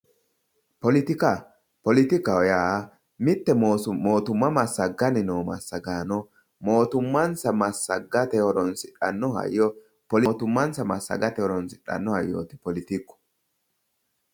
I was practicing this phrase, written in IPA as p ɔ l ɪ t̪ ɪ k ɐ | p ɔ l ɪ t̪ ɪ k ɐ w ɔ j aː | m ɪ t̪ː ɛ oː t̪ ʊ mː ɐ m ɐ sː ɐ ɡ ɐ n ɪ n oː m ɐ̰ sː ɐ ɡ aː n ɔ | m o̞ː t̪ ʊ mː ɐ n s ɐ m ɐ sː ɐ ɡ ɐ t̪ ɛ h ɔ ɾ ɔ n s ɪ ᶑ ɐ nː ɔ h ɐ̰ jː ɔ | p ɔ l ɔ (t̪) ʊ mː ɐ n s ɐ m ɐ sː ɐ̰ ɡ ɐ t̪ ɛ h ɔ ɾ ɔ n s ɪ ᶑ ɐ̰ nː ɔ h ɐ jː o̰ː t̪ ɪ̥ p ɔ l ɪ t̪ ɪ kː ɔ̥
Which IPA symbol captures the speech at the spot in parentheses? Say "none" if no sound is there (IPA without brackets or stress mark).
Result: t̪